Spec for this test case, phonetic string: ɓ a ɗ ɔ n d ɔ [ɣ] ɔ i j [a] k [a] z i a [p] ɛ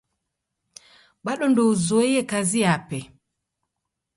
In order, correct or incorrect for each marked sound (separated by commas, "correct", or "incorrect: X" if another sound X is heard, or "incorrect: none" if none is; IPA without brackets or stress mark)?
incorrect: z, incorrect: ɛ, correct, correct